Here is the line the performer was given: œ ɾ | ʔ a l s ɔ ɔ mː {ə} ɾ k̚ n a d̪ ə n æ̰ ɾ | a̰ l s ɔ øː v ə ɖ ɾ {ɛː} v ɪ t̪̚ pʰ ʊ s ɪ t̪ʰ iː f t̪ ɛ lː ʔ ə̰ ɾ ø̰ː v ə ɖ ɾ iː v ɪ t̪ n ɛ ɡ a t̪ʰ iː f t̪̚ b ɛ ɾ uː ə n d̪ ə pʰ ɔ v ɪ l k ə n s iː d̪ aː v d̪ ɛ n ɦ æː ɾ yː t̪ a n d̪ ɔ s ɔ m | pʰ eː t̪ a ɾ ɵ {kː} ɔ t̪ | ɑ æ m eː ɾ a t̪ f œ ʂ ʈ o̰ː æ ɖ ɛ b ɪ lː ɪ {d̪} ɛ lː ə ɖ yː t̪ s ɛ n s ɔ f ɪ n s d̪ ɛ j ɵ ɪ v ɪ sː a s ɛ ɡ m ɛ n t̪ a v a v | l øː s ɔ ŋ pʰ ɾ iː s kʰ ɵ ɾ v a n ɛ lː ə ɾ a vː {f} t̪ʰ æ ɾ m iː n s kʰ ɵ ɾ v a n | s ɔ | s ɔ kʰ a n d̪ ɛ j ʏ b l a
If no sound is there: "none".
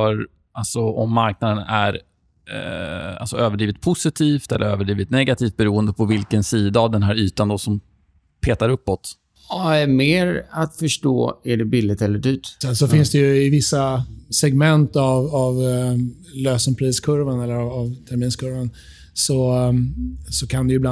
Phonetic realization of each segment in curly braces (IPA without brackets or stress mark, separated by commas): a, iː, pː, t̪, v